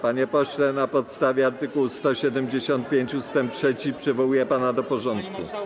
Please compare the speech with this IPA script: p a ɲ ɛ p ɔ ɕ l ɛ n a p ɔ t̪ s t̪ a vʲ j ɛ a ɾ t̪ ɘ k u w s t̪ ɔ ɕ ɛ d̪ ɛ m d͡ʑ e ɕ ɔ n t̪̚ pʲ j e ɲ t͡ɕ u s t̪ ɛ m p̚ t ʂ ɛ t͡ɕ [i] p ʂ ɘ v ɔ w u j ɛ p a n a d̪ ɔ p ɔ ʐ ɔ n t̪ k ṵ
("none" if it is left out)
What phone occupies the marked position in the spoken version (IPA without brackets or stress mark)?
i